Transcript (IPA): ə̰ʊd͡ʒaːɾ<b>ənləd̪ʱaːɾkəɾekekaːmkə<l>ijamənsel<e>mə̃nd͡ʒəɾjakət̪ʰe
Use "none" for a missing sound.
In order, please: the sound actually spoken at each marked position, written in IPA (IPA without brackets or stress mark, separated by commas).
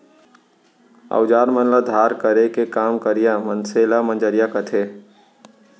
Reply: m, ɾ, a